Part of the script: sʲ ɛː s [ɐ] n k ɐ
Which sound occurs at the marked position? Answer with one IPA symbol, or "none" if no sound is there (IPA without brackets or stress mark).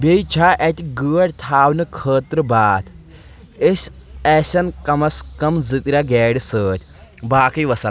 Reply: ɐ